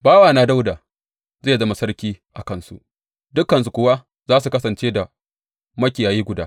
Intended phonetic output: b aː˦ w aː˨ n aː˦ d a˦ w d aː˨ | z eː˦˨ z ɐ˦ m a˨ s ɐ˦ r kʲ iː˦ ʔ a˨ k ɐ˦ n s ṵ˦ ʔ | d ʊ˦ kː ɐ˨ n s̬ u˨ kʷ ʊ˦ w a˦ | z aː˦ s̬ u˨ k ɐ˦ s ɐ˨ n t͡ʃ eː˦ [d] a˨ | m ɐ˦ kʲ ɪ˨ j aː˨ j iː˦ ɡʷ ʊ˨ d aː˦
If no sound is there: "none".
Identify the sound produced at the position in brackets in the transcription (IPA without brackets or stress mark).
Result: d